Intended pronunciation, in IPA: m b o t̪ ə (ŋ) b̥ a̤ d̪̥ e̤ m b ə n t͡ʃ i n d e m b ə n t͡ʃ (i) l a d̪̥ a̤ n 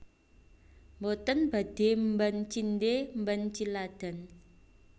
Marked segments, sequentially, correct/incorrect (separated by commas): incorrect, correct